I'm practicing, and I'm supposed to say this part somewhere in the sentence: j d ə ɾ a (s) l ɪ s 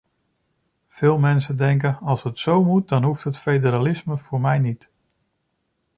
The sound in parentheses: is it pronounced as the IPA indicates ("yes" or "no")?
no